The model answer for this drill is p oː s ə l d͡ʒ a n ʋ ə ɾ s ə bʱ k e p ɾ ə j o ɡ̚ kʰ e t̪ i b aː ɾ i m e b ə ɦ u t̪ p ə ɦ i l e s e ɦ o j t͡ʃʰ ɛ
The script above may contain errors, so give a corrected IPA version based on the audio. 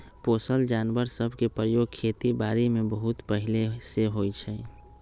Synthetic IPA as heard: p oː s ə l d͡ʒ a n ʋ ə ɾ s ə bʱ k e p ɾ ə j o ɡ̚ kʰ e t̪ i b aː ɾ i m e b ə ɦ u t̪ p ə ɦ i l e s e ɦ o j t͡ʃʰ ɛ